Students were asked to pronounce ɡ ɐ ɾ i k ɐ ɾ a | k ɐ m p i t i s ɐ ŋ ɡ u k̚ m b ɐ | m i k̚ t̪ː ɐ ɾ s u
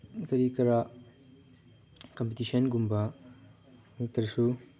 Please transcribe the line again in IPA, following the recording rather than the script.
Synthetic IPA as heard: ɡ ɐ ɾ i k ɐ ɾ a | k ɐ m p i t i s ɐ n ɡ u m b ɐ | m i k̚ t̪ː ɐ ɾ s u